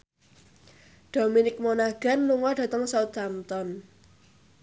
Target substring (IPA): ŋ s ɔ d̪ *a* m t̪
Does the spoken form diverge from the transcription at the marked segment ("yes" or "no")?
no